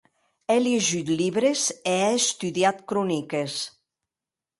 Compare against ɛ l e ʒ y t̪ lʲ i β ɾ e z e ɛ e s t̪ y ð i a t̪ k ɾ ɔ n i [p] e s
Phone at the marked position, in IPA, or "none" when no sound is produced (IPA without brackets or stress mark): k